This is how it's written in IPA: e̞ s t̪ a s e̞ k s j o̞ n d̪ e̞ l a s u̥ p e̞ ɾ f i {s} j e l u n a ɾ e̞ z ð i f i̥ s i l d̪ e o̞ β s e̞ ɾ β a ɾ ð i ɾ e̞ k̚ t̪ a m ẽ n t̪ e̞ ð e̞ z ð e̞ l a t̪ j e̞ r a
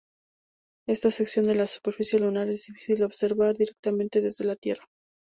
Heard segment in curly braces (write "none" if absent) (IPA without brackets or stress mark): s